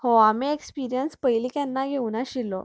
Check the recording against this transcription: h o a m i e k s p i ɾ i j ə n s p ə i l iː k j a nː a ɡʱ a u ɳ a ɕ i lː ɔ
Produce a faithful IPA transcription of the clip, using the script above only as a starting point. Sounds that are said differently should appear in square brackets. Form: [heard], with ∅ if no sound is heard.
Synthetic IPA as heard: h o a m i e k s p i ɾ i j ə n s p ə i l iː k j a nː a ɡʱ [e] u [n] a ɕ i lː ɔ